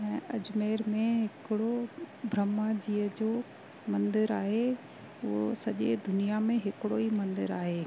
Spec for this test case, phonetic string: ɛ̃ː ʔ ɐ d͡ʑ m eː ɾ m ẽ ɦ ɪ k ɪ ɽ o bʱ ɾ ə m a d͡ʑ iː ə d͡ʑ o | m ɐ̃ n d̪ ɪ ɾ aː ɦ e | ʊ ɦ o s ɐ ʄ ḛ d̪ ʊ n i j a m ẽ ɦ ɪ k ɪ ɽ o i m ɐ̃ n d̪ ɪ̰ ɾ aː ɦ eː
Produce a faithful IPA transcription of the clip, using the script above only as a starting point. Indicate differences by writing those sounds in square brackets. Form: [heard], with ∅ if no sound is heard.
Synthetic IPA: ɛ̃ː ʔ ɐ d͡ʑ m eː ɾ m ẽ ɦ ɪ k ɪ ɽ o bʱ ɾ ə m a d͡ʑ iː ə d͡ʑ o | m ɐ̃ n d̪ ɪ ɾ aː ɦ e | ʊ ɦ o s ɐ ʄ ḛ d̪ ʊ n i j a m ẽ ɦ ɪ k ɪ ɽ o i m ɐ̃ n d̪ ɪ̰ ɾ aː ɦ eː